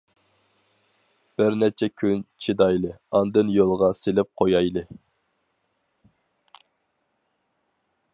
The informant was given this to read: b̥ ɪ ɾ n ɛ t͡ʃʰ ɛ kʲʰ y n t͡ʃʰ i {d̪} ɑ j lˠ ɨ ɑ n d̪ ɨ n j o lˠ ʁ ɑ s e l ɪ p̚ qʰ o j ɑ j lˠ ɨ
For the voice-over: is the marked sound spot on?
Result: yes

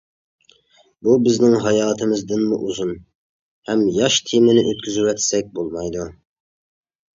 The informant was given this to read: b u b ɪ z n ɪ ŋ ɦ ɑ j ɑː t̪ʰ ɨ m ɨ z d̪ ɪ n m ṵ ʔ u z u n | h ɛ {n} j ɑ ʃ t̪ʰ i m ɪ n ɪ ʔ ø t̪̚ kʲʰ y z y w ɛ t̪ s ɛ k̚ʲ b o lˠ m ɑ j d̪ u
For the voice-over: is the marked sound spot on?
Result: no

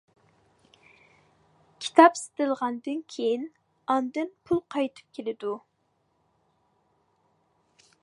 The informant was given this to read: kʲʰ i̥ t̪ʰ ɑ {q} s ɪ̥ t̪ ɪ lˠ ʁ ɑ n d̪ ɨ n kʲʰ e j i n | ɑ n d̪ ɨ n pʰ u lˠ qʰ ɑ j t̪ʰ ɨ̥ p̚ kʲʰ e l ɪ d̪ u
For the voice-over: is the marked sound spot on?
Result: no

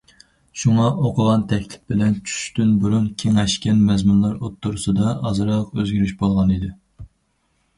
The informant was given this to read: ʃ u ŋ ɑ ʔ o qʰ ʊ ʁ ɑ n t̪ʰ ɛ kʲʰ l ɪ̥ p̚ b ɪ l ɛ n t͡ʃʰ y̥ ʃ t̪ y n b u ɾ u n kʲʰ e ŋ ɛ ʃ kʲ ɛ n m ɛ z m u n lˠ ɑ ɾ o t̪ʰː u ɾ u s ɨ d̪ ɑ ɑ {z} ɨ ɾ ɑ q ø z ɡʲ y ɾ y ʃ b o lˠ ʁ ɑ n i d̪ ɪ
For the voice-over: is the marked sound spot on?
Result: yes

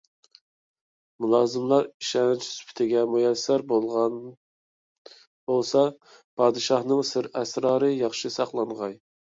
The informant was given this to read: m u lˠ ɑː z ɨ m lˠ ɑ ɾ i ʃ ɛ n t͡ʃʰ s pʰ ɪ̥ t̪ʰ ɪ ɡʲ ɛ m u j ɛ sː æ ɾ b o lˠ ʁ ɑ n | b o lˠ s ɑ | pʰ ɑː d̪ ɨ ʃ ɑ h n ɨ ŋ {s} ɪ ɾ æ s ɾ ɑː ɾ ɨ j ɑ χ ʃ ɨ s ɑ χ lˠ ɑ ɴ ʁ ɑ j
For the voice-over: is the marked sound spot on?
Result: yes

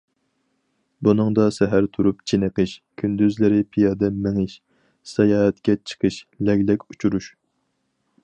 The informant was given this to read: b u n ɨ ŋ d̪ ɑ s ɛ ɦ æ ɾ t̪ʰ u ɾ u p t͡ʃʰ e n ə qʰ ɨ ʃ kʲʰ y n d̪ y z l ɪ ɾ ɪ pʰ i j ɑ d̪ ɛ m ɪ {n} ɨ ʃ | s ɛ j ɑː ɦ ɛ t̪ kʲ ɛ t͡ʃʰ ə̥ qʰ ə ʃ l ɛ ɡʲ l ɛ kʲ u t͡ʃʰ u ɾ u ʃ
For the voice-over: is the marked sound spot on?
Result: no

